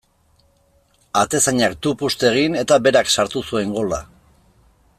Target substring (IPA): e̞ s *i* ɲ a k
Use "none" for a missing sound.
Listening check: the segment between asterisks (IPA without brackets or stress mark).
a